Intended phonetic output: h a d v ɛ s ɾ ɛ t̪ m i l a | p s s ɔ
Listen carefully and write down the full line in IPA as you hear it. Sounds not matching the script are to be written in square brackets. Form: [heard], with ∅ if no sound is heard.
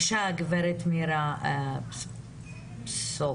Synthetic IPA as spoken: [ʃ] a [ɡ] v ɛ [∅] ɾ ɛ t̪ m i [ɾ] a | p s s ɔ